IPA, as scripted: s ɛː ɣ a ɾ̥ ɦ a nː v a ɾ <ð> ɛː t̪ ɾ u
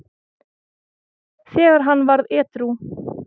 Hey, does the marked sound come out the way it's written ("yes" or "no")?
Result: yes